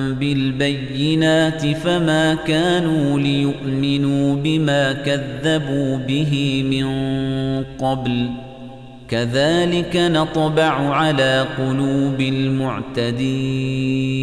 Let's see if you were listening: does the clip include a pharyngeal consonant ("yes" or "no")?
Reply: yes